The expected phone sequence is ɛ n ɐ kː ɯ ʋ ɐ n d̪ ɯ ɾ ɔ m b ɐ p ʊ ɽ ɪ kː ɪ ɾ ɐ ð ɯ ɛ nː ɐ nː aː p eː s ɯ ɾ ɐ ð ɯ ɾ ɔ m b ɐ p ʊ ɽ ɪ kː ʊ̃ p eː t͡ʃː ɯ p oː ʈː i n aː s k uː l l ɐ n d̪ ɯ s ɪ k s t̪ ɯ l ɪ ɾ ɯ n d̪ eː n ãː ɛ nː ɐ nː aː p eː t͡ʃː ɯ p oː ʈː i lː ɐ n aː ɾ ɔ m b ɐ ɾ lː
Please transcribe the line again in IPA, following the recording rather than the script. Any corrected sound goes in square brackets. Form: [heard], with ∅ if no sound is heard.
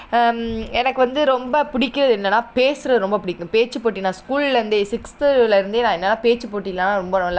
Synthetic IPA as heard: ɛ n ɐ kː ɯ ʋ ɐ n d̪ ɯ ɾ ɔ m b ɐ p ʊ ɽ ɪ kː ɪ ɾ ɐ ð ɯ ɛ nː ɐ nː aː p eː s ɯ ɾ ɐ ð ɯ ɾ ɔ m b ɐ p ʊ ɽ ɪ kː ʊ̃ p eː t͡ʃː ɯ p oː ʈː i n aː s k uː l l ɐ n d̪ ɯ s ɪ k s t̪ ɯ l ɪ ɾ ɯ n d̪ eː n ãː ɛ nː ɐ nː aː p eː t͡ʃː ɯ p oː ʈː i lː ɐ n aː ɾ ɔ m b ɐ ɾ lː